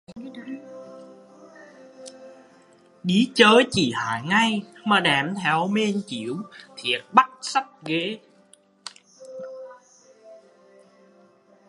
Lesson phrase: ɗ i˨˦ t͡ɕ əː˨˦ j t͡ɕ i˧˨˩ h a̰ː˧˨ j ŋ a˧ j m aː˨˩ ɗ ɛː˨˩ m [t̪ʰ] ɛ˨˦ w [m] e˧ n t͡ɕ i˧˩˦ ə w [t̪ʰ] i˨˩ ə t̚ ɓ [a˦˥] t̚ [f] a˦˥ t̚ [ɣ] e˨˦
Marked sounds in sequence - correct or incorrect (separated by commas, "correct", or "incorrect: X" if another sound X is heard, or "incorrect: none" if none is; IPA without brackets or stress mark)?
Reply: correct, correct, correct, correct, incorrect: s, correct